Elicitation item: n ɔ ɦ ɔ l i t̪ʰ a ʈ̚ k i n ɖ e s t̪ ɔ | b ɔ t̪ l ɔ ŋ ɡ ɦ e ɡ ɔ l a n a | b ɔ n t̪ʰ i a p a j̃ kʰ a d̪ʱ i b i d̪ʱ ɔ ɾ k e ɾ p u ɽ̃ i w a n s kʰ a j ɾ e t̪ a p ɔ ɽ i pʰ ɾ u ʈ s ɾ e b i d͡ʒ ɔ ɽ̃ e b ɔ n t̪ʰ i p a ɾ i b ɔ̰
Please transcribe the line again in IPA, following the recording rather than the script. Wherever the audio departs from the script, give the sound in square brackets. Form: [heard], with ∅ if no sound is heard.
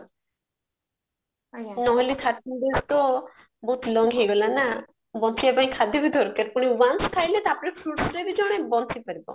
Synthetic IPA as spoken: n ɔ ɦ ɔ l i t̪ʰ a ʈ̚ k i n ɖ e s t̪ ɔ | b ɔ t̪ l ɔ ŋ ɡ ɦ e ɡ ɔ l a n a | b ɔ n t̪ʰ i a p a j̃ kʰ a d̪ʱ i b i d̪ʱ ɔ ɾ k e ɾ p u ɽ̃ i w a n s kʰ a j [l] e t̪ a p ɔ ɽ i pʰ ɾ u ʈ s ɾ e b i d͡ʒ ɔ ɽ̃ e b ɔ n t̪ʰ i p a ɾ i b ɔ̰